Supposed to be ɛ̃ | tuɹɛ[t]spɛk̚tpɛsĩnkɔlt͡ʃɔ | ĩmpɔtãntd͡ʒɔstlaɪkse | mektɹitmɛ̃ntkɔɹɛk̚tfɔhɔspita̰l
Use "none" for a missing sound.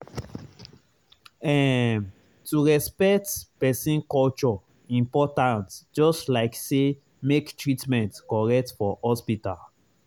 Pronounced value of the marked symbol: none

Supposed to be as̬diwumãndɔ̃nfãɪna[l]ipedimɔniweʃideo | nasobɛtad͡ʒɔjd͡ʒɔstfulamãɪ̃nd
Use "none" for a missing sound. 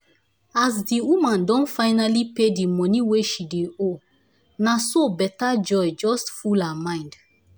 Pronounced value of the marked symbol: l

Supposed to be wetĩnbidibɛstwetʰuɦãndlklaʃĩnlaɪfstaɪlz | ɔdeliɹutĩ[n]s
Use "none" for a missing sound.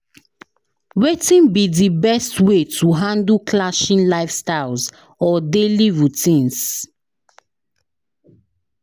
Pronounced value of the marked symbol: n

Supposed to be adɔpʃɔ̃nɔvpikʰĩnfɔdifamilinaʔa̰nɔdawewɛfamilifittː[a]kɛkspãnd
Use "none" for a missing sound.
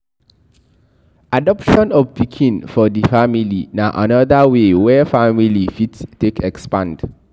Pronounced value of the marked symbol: e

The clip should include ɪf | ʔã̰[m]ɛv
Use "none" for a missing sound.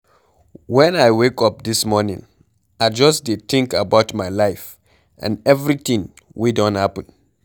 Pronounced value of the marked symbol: n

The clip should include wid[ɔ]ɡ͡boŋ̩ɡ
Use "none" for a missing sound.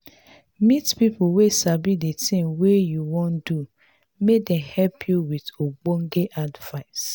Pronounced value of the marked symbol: o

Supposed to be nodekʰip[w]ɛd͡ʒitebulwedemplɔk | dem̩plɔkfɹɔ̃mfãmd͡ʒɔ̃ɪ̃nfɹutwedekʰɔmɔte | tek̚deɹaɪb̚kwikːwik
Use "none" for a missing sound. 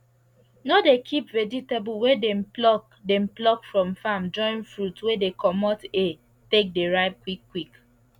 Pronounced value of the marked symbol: v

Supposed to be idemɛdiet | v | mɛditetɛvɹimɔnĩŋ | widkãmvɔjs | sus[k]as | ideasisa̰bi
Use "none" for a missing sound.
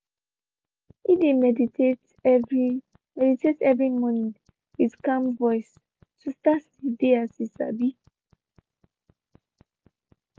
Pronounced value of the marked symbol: t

